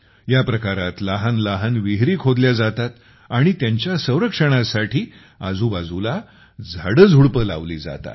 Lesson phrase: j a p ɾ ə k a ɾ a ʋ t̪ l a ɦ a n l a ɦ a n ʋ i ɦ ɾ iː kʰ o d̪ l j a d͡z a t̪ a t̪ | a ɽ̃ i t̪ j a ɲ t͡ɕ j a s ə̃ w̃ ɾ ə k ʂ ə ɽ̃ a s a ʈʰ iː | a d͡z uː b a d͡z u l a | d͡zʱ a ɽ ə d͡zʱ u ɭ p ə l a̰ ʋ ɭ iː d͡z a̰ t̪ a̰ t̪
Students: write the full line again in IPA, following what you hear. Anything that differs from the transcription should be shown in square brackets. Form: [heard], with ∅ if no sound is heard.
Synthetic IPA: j a p ɾ ə k a ɾ a [∅] t̪ l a ɦ a n l a ɦ a n ʋ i ɦ ɾ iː kʰ o d̪ l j a d͡z a t̪ a t̪ | a ɽ̃ i t̪ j a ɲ t͡ɕ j a s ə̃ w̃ ɾ ə k ʂ ə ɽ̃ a s a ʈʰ iː | a d͡z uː b a d͡z u l a | d͡zʱ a ɽ ə d͡zʱ u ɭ p ə l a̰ ʋ [l] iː d͡z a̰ t̪ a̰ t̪